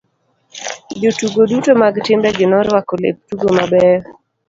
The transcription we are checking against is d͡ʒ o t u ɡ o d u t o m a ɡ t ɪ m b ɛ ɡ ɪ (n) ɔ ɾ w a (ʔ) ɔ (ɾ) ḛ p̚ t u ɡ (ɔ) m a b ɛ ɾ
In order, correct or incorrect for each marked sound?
correct, incorrect: k, incorrect: l, incorrect: o

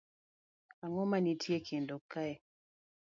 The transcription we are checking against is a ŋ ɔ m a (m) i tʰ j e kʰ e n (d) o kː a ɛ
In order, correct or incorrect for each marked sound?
incorrect: n, correct

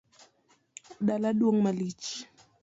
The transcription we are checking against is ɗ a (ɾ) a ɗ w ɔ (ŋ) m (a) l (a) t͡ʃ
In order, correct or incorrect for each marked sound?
incorrect: l, correct, correct, incorrect: i

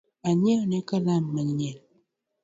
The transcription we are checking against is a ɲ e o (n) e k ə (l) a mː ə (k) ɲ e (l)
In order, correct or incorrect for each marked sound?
correct, correct, incorrect: none, correct

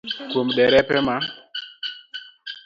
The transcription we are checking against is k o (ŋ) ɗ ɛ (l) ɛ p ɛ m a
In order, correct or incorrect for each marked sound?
incorrect: m, incorrect: ɾ

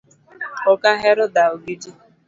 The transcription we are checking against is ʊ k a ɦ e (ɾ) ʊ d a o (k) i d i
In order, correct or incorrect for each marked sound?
correct, incorrect: ɡ

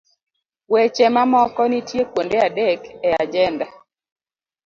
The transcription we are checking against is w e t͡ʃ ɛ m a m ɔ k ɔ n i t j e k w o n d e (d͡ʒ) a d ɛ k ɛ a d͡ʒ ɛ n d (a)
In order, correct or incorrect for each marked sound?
incorrect: none, correct

